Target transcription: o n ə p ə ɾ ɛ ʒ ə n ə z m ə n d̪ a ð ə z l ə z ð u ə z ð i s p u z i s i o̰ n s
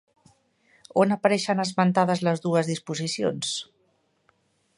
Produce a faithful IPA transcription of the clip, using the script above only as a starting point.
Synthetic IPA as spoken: o n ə p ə ɾ ɛ ʃ ə n ə z m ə n t̪ a ð ə z l ə z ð u ə z ð i s p u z i s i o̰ n s